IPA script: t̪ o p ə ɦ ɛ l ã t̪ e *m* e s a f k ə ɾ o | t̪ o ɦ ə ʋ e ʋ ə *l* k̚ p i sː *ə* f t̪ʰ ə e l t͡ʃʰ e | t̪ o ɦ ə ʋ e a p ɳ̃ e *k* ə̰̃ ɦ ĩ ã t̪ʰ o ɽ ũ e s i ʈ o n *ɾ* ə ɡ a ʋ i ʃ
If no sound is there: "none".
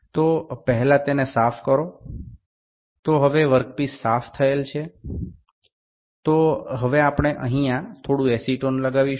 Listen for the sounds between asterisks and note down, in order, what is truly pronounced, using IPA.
n, ɾ, a, ʔ, l

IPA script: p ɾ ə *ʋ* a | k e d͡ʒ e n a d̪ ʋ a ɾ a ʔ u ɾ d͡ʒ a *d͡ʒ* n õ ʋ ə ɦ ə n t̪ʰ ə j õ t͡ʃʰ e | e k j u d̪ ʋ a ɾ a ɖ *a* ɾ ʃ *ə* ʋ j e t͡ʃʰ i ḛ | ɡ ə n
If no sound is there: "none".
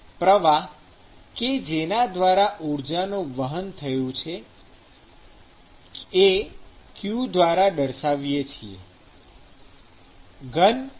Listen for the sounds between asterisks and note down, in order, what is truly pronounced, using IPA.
ʋ, none, ə, a

